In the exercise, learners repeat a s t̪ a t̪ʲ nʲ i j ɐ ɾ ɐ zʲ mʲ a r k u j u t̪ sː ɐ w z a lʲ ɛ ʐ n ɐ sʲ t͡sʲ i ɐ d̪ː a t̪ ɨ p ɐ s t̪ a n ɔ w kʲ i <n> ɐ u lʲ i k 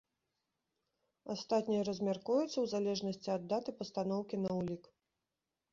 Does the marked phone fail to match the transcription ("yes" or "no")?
no